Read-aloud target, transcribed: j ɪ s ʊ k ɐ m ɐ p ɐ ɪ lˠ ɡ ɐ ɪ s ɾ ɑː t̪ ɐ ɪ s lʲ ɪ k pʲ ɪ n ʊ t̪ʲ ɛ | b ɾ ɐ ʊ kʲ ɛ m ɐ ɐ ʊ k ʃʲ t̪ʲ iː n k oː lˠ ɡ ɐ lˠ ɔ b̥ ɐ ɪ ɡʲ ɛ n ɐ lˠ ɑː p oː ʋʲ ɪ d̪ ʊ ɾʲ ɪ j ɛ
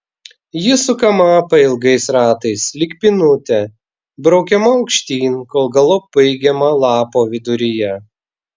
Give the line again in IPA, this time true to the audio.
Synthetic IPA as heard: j ɪ s ʊ k ɐ m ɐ p ɐ ɪ lˠ ɡ ɐ ɪ s ɾ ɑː t̪ ɐ ɪ s lʲ ɪ k pʲ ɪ n ʊ t̪ʲ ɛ | b ɾ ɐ ʊ kʲ ɛ m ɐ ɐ ʊ k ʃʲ t̪ʲ iː n k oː lˠ ɡ ɐ lˠ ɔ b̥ ɐ ɪ ɡʲ ɛ m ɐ lˠ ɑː p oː ʋʲ ɪ d̪ ʊ ɾʲ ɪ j ɛ

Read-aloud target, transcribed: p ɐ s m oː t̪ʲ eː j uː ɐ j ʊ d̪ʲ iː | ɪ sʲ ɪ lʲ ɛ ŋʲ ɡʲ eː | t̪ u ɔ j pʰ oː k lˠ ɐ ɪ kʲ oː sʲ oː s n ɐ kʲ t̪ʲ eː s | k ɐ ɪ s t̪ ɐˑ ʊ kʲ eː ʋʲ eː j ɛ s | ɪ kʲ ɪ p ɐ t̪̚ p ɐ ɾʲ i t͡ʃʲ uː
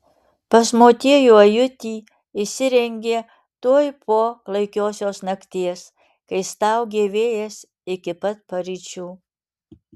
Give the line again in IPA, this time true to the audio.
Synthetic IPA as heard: p ɐ s m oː t̪ʲ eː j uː ɐ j ʊ t̪ʲ iː | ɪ sʲ ɪ ɾʲ ɛ ŋʲ ɡʲ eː | t̪ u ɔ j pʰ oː k lˠ ɐ ɪ kʲ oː sʲ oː s n ɐ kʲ t̪ʲ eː s | k ɐ ɪ s t̪ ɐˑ ʊ ɡʲ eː ʋʲ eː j ɛ s | ɪ kʲ ɪ p ɐ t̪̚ p ɐ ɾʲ i t͡ʃʲ uː

